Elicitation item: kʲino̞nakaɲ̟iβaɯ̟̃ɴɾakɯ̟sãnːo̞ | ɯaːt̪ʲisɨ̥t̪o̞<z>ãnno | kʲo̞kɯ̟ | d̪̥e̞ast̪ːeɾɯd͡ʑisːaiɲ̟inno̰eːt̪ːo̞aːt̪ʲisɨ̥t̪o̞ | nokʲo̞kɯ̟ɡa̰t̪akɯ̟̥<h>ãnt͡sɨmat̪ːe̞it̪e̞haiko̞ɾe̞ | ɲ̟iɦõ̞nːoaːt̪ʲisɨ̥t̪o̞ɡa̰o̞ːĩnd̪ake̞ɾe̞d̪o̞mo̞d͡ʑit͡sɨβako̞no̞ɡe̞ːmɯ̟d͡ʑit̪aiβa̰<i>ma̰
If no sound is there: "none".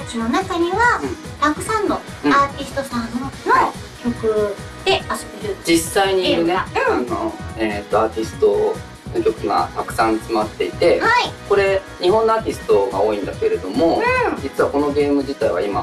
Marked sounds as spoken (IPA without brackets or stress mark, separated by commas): s, s, i